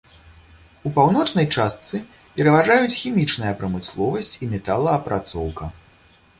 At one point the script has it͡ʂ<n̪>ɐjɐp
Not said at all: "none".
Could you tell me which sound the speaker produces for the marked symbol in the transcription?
n̪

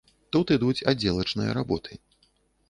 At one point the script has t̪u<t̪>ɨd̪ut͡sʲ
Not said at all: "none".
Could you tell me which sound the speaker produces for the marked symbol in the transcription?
t̪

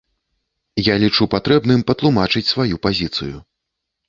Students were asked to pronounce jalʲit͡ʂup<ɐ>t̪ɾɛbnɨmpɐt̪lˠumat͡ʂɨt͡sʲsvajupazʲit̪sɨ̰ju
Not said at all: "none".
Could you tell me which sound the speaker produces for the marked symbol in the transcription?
a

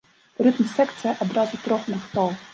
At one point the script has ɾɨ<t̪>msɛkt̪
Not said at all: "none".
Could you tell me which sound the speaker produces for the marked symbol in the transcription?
t̪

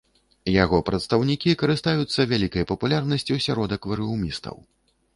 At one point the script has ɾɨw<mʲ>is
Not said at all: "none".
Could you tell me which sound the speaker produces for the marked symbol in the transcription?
mʲ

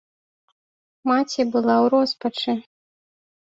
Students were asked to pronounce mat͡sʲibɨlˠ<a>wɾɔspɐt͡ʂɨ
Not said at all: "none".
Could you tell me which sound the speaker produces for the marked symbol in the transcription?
a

